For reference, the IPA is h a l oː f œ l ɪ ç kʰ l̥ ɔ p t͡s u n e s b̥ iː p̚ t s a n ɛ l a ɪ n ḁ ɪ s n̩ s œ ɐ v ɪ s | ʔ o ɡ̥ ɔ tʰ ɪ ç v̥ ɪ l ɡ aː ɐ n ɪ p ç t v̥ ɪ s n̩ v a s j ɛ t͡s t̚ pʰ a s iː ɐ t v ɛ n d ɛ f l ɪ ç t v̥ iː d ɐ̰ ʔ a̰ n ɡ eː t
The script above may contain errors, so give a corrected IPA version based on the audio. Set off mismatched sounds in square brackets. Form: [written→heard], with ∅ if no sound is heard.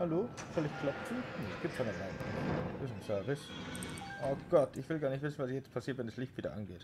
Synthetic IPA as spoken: h a l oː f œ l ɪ ç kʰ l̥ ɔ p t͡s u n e s [b̥→ɡ̥] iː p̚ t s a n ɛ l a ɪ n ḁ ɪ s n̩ s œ ɐ v ɪ s | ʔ o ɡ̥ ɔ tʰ ɪ ç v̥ ɪ l ɡ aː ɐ n ɪ [p→∅] ç t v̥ ɪ s n̩ v a s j ɛ t͡s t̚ pʰ a s iː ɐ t v ɛ n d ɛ [f→s] l ɪ ç t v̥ iː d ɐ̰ ʔ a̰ n ɡ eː t